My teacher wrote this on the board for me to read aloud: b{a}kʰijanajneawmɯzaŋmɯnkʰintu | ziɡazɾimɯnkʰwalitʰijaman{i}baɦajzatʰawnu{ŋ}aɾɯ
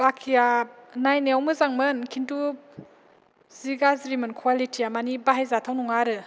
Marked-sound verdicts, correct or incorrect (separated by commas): correct, correct, correct